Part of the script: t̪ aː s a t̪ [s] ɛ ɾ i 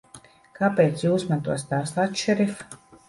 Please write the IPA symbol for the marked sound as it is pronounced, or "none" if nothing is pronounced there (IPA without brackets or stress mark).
ʃ